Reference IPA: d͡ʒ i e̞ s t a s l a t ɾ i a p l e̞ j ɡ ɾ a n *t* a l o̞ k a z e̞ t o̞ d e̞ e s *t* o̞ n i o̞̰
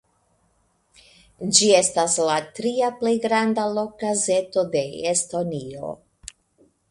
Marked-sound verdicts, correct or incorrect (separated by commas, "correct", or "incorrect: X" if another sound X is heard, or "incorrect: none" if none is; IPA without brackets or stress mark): incorrect: d, correct